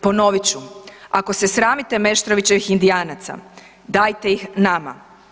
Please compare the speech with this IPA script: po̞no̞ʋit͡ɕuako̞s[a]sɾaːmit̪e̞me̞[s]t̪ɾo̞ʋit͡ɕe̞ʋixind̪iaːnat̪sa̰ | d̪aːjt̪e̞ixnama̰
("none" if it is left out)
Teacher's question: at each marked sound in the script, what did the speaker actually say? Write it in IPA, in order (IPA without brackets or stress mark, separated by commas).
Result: e, ʃ